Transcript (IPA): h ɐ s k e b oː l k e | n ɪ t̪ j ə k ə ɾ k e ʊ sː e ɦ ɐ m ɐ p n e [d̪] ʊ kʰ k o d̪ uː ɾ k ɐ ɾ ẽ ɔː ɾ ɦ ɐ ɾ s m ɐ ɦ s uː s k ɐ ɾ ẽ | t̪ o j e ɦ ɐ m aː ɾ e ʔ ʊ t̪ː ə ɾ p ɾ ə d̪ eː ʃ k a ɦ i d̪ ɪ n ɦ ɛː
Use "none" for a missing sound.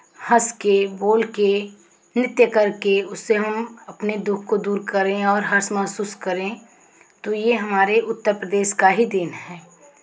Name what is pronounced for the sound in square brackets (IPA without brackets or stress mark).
d̪